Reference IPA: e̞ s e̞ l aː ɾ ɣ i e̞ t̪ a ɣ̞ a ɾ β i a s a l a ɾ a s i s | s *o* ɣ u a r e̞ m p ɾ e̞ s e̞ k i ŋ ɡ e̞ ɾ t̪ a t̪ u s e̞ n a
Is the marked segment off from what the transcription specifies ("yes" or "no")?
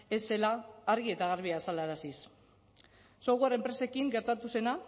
no